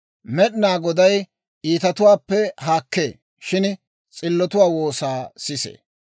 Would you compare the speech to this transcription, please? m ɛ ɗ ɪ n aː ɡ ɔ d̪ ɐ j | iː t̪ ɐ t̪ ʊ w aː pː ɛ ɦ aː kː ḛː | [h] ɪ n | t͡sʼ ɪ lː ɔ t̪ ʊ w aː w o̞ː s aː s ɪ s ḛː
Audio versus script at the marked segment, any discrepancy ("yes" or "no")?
yes